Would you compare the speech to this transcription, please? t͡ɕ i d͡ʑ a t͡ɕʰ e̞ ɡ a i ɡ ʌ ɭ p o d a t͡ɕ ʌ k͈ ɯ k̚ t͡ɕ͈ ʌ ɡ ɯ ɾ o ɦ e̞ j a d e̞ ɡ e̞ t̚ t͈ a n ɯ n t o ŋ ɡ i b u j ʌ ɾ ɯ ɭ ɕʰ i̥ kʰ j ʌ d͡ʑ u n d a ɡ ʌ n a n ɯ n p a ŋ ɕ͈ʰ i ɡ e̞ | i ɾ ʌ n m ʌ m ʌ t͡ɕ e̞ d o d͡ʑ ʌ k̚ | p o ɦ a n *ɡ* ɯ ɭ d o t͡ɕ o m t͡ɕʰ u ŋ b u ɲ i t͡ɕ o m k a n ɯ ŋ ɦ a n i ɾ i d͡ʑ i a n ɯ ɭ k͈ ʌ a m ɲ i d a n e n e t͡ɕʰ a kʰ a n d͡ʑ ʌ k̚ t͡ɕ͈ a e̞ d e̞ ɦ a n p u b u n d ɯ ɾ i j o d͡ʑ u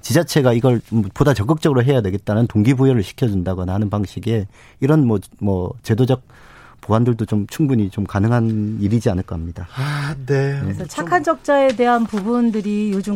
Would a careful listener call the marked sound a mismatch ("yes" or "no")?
yes